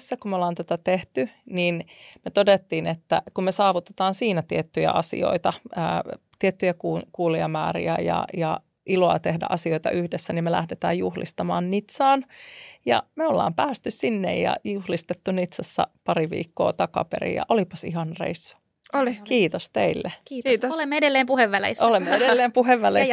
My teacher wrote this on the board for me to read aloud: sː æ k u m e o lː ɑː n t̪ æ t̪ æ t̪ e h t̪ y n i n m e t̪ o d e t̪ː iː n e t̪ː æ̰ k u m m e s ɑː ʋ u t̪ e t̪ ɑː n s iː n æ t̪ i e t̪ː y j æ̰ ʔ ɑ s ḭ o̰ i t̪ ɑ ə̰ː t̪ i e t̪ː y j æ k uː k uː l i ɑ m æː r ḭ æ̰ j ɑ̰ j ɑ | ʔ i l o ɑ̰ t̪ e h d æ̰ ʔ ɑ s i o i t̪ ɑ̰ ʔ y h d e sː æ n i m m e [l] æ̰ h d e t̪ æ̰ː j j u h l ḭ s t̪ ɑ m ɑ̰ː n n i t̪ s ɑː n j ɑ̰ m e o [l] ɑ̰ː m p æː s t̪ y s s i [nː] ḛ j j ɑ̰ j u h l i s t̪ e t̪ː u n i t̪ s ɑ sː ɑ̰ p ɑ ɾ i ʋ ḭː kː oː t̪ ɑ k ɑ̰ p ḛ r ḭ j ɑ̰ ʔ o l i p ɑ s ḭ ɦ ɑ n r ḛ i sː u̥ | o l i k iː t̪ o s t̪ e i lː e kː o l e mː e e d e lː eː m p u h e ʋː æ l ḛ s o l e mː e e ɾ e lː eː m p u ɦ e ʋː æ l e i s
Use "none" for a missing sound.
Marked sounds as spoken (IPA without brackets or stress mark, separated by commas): l, lː, nː